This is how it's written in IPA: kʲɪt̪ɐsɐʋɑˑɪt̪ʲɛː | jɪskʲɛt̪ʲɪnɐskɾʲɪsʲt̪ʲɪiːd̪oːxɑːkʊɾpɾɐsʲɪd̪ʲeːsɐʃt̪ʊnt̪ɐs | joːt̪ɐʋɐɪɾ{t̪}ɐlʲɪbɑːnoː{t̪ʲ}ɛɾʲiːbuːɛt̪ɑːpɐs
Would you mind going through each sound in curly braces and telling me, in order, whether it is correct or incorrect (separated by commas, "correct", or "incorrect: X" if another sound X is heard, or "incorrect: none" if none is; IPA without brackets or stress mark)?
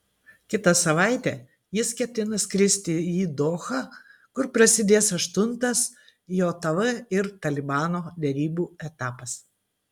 correct, incorrect: d̪ʲ